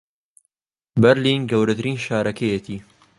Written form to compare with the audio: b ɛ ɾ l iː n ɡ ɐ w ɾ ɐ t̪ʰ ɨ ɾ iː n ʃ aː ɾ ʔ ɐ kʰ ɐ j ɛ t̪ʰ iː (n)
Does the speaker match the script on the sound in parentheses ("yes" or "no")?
no